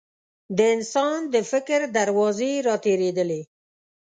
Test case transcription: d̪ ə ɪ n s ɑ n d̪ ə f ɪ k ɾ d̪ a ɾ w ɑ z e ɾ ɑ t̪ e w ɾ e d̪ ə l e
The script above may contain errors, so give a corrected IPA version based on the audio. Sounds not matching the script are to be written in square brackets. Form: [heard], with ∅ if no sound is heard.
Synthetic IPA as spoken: d̪ ə ɪ n s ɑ n d̪ ə f ɪ k ɾ d̪ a ɾ w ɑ z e ɾ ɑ t̪ e [∅] ɾ e d̪ ə l e